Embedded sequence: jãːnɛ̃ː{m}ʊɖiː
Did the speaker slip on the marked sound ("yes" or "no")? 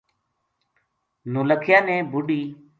yes